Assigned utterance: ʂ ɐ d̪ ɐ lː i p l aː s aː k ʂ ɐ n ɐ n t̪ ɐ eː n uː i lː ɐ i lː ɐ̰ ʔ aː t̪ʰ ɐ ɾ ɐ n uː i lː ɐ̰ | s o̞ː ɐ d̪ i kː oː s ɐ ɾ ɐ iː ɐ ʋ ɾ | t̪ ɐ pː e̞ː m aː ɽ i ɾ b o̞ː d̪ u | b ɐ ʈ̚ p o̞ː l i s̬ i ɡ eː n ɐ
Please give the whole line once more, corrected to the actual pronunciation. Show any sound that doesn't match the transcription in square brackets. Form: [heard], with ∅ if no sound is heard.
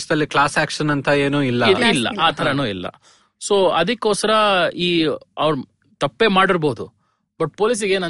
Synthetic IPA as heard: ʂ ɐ d̪ ɐ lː i [k] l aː s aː k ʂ ɐ n ɐ n t̪ ɐ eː n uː i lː ɐ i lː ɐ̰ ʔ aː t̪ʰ ɐ ɾ ɐ n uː i lː ɐ̰ | s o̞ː ɐ d̪ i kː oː s ɐ ɾ ɐ iː ɐ ʋ ɾ | t̪ ɐ pː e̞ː m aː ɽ i ɾ b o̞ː d̪ u | b ɐ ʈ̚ p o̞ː l i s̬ i ɡ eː n ɐ